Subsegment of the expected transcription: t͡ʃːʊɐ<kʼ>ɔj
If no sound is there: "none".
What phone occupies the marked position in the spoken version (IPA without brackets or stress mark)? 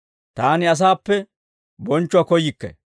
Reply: k